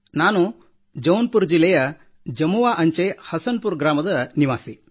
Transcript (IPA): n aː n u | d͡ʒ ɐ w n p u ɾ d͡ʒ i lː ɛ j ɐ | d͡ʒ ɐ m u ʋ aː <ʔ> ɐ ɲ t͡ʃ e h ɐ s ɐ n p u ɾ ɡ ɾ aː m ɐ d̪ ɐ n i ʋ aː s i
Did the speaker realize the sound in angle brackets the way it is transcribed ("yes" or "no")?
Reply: yes